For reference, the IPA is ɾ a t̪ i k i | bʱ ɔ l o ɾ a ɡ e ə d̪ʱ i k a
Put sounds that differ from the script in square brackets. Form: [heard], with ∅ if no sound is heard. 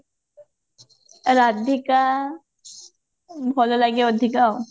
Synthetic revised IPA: ɾ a [d̪] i k [a] | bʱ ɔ l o [l] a ɡ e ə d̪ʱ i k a